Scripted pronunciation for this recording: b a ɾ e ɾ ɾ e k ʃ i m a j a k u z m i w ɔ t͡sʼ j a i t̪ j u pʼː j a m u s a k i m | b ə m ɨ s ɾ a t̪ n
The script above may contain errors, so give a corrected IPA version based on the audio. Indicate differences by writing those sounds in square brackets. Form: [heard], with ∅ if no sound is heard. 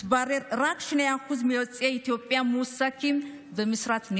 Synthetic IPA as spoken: b a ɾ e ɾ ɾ [a] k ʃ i [n] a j a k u z m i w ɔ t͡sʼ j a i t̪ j [o] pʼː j a m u s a k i m | b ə m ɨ s ɾ a t̪ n